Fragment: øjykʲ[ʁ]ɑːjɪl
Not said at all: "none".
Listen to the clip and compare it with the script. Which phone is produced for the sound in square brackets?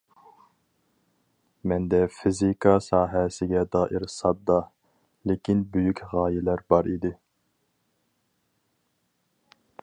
ʁ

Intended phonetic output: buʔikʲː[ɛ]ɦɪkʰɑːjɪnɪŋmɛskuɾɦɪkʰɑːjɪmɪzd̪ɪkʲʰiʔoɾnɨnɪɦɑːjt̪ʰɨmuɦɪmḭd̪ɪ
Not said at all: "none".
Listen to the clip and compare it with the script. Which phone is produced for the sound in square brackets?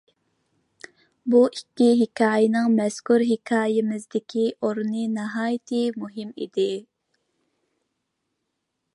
i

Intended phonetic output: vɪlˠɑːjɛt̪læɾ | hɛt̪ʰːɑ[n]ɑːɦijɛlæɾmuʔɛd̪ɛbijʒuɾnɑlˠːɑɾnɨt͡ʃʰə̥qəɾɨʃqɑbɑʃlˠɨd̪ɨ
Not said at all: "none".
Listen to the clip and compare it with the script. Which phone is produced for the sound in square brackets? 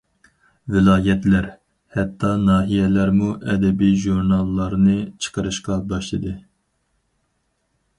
n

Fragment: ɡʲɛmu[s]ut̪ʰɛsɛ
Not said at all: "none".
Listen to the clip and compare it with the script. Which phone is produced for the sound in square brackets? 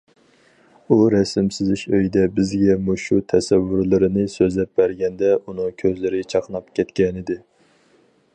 ʃ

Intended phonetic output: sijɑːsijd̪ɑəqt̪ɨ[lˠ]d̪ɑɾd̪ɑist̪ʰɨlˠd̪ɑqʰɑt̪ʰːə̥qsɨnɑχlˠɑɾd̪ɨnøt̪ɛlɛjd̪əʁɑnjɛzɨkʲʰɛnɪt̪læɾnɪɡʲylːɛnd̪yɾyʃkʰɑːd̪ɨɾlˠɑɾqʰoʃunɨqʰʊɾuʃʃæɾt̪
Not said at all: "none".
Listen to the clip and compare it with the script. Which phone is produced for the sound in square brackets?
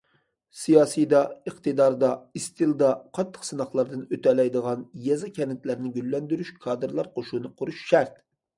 none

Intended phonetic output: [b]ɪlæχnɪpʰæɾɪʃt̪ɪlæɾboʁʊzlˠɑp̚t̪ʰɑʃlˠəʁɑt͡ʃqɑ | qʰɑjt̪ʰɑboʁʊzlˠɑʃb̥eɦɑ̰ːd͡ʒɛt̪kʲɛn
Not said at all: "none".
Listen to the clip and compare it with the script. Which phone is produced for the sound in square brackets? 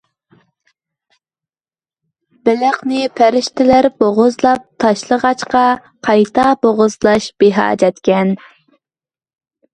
b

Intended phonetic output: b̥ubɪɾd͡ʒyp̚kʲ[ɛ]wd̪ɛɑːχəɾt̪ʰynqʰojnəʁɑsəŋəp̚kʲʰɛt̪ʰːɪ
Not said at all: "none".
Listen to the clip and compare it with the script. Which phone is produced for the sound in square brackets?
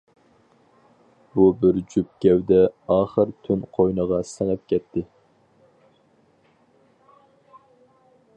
ɛ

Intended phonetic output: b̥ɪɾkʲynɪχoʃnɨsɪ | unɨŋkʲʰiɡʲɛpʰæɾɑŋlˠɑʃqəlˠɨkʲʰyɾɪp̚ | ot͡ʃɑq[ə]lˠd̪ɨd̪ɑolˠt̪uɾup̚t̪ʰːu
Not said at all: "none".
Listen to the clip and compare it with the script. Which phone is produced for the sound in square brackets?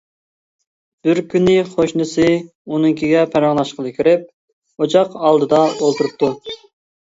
ɑ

